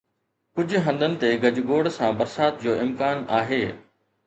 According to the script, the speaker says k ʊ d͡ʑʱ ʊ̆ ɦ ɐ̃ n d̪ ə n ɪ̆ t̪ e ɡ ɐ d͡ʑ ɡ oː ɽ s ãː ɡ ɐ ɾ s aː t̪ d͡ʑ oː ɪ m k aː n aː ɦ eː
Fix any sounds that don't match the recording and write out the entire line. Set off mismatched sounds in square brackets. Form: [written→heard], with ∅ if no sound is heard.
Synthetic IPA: k ʊ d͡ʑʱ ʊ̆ ɦ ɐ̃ n d̪ ə n ɪ̆ t̪ e ɡ ɐ d͡ʑ ɡ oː ɽ s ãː [ɡ→b] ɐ ɾ s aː t̪ d͡ʑ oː ɪ m k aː n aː ɦ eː